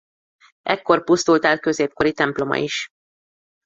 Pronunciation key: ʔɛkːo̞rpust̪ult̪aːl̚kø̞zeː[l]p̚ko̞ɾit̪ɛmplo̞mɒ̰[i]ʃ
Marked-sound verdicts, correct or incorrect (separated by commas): incorrect, correct